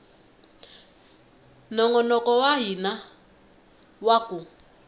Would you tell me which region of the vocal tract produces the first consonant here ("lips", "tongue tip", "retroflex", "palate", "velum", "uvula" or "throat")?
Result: tongue tip